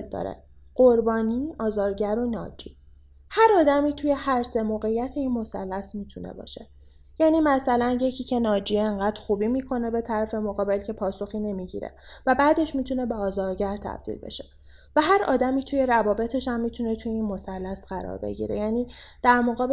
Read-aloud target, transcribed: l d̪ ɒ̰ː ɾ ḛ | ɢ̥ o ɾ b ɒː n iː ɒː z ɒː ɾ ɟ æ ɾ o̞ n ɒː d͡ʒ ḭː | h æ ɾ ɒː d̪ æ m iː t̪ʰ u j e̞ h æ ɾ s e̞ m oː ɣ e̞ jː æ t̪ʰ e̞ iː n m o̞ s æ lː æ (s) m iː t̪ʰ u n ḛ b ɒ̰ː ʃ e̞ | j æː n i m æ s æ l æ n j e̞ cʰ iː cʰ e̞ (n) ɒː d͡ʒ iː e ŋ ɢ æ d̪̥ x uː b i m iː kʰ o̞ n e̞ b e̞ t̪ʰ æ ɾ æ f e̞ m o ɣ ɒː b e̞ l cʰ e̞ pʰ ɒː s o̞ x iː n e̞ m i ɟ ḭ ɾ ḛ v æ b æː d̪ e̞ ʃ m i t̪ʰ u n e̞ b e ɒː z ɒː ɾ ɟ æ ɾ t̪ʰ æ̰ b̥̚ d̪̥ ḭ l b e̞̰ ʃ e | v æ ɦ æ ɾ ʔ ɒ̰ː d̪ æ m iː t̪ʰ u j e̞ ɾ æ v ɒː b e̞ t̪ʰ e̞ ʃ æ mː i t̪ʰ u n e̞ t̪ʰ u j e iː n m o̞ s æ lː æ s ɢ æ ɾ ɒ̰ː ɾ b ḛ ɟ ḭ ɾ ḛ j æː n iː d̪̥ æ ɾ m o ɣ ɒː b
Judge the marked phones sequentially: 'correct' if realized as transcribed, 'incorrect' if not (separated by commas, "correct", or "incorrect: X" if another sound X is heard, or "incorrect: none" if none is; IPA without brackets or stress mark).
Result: correct, correct